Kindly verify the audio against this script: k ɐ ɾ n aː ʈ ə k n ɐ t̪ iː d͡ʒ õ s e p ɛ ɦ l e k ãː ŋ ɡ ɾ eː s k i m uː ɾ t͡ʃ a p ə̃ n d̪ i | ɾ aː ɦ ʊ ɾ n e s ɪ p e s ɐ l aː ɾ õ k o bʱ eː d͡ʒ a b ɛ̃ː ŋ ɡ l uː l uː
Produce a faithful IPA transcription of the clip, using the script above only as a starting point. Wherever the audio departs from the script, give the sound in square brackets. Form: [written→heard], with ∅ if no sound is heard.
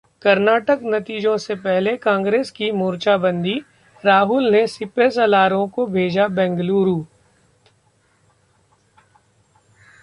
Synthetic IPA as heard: k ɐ ɾ n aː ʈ ə k n ɐ t̪ iː d͡ʒ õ s e p ɛ ɦ l e k ãː ŋ ɡ ɾ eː s k i m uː ɾ t͡ʃ a [p→b] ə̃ n d̪ i | ɾ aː ɦ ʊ [ɾ→l] n e s ɪ p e s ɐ l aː ɾ õ k o bʱ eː d͡ʒ a b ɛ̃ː ŋ ɡ l uː [l→ɾ] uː